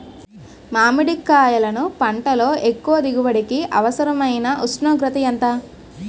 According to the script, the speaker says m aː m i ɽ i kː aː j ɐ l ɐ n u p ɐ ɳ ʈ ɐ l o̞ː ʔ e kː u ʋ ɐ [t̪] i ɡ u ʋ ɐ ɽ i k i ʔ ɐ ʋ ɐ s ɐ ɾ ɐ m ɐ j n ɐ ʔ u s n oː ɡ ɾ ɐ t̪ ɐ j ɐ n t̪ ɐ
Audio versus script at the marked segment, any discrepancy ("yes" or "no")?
yes